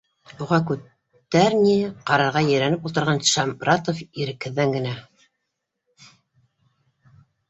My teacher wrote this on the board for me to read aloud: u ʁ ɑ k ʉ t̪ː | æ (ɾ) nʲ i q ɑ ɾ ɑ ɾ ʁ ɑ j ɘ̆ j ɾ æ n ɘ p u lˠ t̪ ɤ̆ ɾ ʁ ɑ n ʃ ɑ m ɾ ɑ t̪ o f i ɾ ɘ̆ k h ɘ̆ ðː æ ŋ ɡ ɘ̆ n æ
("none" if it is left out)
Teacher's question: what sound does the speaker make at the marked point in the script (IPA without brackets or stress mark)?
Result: ɾ